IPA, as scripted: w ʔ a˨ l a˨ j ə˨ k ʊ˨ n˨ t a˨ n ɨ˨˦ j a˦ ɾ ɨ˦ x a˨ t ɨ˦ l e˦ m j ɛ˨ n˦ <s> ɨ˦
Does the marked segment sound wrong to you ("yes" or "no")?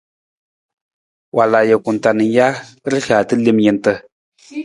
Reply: yes